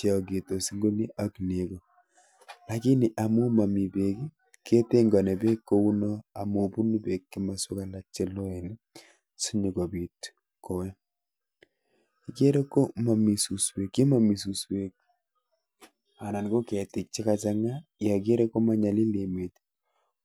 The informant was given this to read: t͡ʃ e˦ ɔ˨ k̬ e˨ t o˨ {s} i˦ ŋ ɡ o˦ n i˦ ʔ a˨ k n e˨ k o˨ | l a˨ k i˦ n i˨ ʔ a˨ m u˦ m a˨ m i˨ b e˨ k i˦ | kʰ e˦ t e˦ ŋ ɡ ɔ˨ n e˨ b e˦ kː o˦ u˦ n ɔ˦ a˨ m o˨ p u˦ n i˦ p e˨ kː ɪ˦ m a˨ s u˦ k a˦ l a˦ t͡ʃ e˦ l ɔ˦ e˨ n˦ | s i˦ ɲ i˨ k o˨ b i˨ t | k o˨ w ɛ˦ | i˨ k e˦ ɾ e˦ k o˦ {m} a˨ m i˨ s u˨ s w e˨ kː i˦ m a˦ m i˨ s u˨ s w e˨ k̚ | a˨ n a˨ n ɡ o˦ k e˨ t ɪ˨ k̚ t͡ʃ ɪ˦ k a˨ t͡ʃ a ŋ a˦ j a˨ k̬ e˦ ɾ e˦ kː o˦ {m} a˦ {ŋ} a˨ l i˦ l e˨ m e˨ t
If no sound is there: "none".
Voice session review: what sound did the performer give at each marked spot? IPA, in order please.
s, m, m, ɲ

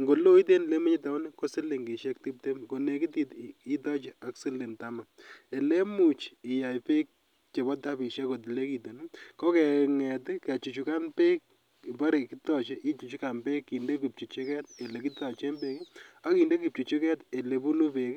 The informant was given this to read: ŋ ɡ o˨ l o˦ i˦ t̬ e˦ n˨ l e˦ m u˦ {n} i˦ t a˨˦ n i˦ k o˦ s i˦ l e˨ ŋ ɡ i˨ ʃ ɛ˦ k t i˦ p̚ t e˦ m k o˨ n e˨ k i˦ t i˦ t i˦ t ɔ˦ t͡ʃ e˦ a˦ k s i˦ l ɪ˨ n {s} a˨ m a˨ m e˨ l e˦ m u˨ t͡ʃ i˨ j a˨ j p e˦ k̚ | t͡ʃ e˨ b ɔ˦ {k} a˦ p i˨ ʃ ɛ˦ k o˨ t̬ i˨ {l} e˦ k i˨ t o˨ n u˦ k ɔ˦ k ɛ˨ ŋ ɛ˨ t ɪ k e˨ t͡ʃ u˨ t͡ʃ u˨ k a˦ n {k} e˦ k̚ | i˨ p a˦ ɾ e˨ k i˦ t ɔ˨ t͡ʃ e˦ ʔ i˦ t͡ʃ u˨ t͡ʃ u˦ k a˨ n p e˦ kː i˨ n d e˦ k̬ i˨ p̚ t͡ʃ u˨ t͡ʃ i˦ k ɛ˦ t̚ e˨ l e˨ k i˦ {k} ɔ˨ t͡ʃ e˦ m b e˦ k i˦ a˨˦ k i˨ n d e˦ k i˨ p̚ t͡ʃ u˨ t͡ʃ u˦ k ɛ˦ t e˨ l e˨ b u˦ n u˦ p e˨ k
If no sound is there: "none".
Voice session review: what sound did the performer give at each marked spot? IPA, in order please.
ɲ, t, t, l, p, t

